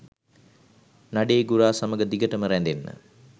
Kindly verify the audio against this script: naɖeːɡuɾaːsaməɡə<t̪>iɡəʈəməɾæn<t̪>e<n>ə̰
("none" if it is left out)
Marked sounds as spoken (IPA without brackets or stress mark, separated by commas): d̪, d̪, nː